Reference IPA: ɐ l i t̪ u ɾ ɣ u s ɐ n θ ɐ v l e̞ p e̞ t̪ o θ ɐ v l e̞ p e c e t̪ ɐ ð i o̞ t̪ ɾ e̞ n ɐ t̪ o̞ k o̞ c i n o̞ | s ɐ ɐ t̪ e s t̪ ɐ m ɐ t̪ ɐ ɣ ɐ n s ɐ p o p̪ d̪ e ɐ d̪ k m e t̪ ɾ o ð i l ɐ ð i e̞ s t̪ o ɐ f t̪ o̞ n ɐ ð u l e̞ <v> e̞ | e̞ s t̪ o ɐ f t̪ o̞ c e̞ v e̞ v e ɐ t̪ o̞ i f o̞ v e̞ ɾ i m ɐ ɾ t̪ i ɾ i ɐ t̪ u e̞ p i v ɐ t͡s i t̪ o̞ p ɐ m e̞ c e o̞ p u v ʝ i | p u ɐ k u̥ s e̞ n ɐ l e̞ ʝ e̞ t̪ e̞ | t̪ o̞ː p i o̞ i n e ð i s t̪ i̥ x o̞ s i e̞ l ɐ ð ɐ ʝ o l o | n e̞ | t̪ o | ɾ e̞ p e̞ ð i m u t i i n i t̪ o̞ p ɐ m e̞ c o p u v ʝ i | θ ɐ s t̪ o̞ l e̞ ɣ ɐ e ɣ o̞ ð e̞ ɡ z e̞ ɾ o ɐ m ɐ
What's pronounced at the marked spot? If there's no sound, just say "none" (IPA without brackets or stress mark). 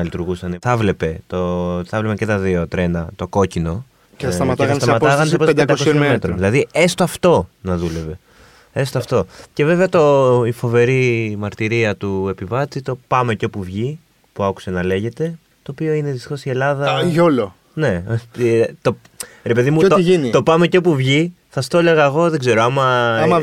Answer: v